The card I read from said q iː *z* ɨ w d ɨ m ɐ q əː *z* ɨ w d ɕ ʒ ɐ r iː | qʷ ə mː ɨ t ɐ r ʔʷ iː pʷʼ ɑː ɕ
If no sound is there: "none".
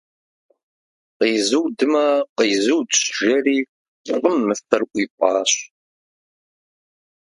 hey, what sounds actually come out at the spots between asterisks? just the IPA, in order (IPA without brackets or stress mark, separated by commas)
z, z